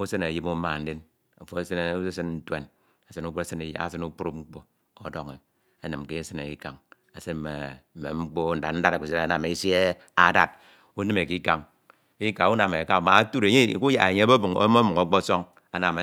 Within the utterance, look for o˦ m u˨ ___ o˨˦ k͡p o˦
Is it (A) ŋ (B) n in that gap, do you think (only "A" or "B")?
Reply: A